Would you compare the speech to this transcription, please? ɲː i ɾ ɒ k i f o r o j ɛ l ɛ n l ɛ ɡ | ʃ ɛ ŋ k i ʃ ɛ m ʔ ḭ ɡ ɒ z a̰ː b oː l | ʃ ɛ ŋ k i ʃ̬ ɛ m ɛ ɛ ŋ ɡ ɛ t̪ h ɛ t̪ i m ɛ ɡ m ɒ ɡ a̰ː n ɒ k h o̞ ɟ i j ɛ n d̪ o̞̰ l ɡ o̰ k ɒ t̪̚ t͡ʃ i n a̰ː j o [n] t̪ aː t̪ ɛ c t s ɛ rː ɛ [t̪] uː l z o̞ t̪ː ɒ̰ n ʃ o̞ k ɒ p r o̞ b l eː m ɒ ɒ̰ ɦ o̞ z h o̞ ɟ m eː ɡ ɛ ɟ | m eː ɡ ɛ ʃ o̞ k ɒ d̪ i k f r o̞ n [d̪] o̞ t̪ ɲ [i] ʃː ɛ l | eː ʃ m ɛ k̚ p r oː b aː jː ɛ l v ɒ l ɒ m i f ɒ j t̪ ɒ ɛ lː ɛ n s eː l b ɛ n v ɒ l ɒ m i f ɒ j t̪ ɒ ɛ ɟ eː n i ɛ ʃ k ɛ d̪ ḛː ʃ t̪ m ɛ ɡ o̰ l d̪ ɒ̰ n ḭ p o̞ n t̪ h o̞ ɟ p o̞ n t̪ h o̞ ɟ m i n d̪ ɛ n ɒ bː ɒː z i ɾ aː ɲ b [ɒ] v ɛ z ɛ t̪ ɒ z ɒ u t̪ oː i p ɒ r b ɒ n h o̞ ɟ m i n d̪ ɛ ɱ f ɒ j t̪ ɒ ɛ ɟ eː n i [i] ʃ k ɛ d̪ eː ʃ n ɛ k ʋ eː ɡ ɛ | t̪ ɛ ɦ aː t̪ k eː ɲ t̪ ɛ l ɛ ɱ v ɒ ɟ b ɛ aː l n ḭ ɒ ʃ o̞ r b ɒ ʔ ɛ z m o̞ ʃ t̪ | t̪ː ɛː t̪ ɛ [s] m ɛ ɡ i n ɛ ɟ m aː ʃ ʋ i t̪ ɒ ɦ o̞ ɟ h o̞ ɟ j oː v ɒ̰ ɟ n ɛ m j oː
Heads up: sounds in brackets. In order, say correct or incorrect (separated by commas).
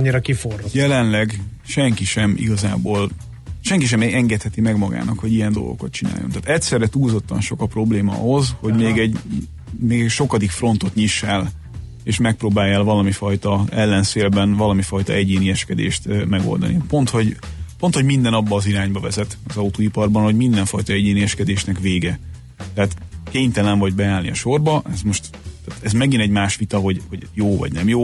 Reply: correct, correct, incorrect, correct, correct, incorrect, incorrect